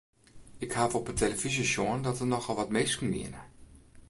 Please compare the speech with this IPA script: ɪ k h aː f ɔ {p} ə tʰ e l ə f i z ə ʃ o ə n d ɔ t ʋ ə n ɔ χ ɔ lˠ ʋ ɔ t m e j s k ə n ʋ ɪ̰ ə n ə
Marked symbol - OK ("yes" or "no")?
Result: yes